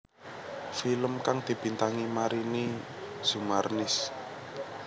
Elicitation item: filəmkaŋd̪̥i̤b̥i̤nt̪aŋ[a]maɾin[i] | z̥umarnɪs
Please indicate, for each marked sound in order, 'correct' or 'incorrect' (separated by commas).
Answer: incorrect, correct